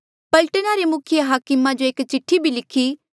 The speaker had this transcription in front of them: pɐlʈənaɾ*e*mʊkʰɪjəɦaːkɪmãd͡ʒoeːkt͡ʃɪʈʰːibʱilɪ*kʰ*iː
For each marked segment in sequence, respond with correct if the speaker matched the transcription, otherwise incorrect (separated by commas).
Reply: correct, correct